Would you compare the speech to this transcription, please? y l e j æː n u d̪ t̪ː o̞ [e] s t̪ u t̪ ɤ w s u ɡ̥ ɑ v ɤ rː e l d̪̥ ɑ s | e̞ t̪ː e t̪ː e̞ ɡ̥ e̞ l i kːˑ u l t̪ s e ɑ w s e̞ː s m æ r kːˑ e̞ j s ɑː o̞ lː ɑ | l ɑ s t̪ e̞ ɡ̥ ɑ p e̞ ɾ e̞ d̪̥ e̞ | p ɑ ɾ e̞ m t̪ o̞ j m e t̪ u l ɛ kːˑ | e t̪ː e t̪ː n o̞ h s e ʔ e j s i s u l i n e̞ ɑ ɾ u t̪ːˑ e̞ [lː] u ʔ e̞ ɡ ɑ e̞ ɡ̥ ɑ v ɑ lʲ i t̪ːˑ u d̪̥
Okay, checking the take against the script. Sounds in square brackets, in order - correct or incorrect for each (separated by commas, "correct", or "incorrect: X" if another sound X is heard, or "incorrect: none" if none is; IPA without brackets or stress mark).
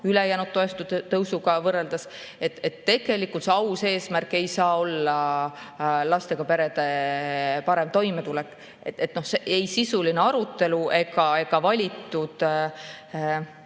correct, incorrect: l